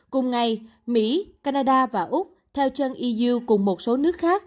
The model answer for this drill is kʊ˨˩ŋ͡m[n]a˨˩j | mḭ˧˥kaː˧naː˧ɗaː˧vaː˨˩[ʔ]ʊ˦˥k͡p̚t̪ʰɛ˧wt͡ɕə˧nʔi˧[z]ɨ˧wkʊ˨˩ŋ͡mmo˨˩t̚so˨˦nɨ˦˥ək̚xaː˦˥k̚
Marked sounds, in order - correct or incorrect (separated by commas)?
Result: incorrect, correct, correct